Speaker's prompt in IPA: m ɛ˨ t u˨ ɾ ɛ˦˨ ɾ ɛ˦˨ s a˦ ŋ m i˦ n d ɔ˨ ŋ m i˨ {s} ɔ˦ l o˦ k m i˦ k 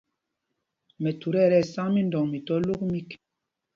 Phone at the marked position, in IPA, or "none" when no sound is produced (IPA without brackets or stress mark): t